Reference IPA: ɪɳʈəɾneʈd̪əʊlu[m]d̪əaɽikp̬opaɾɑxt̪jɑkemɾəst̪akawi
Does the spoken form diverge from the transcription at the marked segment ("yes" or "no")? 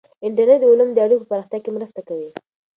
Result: no